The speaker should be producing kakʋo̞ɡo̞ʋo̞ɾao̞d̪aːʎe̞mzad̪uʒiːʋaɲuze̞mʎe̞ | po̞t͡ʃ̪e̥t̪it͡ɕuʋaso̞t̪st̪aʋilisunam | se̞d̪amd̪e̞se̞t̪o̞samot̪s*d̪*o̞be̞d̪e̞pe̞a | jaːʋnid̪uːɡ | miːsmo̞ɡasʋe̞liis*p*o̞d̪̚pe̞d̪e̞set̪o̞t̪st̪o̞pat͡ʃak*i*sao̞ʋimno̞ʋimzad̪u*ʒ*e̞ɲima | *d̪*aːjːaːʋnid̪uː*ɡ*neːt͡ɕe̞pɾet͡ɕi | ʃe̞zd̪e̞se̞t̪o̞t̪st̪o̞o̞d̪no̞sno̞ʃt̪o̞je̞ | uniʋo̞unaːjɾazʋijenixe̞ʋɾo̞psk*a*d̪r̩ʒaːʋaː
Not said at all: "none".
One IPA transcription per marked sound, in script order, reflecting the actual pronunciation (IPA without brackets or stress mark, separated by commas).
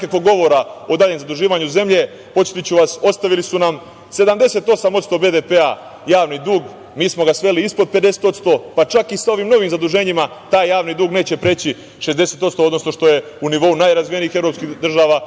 t̪, p, i, ʒ, t̪, ɡ, i